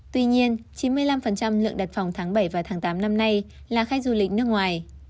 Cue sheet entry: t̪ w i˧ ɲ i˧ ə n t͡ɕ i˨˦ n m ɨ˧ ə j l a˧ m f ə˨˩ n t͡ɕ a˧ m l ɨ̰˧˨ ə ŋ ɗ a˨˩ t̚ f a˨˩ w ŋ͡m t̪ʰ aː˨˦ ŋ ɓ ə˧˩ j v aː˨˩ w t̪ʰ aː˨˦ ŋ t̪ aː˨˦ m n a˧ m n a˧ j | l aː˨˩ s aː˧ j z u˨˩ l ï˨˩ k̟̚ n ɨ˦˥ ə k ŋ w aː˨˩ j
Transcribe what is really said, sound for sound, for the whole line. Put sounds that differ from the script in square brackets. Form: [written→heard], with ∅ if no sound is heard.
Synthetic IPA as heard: t̪ w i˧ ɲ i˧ ə n t͡ɕ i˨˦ n m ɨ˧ ə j l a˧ m f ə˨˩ n t͡ɕ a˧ m l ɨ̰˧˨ ə ŋ ɗ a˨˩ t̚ f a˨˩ w ŋ͡m t̪ʰ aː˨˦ ŋ ɓ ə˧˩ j v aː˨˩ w t̪ʰ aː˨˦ ŋ t̪ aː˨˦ m n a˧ m n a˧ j | l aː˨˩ [s→x] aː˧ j z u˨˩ l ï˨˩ k̟̚ n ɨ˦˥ ə k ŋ w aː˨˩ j